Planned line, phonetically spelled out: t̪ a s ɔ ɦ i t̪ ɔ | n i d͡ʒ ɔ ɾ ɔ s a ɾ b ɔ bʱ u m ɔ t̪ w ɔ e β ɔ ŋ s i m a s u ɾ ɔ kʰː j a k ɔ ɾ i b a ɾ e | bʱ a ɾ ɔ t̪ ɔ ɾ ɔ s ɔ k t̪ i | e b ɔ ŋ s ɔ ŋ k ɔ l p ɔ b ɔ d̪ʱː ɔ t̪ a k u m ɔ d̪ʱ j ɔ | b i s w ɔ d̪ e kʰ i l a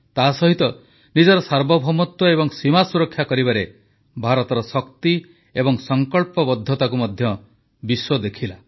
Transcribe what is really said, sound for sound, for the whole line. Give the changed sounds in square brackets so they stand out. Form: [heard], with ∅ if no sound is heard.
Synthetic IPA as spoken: t̪ a s ɔ ɦ i t̪ ɔ | n i d͡ʒ ɔ ɾ ɔ s a ɾ b ɔ bʱ [ɔ] m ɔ t̪ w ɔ e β ɔ ŋ s i m a s u ɾ ɔ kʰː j a k ɔ ɾ i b a ɾ e | bʱ a ɾ ɔ t̪ ɔ ɾ ɔ s ɔ k t̪ i | e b ɔ ŋ s ɔ ŋ k ɔ [ɭ] p ɔ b ɔ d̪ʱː ɔ t̪ a k u m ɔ d̪ʱ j ɔ | b i s w ɔ d̪ e kʰ i l a